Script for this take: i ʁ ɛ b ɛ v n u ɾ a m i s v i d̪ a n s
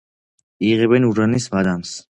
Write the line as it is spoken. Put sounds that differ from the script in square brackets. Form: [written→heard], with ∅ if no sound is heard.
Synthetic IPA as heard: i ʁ ɛ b ɛ [v→∅] n u ɾ a [m→n] i s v [i→a] d̪ a [n→m] s